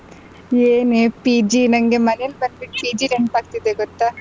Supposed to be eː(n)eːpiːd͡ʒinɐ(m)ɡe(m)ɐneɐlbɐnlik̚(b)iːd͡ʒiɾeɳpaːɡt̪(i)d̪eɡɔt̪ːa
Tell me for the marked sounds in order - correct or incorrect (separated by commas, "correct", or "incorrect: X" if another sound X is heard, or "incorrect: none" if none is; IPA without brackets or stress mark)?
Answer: correct, incorrect: ŋ, correct, incorrect: p, correct